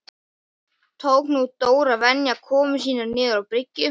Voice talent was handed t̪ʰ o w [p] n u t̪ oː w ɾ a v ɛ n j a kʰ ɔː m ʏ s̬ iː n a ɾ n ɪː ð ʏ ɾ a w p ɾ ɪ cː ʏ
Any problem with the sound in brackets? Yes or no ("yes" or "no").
yes